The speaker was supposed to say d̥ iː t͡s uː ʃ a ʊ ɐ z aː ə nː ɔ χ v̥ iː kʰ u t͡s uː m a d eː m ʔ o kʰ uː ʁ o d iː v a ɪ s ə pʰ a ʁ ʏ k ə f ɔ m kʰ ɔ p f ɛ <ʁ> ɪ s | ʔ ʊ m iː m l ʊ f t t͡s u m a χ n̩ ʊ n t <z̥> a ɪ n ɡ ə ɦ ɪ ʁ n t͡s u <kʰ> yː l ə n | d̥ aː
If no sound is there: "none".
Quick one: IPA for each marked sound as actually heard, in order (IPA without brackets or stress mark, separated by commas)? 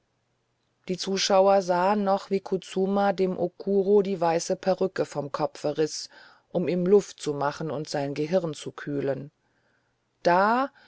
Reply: ʁ, z̥, kʰ